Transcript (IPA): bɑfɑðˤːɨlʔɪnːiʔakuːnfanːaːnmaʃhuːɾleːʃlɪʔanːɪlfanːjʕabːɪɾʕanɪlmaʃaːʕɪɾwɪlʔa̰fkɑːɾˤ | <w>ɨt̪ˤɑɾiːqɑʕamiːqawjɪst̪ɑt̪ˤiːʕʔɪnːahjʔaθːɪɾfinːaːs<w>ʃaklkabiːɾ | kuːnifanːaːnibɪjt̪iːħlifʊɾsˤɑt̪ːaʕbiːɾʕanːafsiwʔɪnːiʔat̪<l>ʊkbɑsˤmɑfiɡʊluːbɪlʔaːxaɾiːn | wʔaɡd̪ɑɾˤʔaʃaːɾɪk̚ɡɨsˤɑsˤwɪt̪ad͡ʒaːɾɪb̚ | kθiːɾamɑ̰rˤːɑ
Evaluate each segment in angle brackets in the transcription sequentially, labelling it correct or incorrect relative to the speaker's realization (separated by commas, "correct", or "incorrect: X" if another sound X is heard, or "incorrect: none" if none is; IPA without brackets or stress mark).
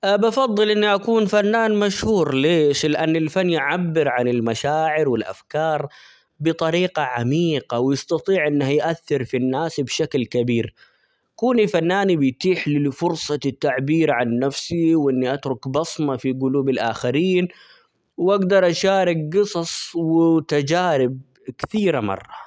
incorrect: b, incorrect: b, incorrect: ɾ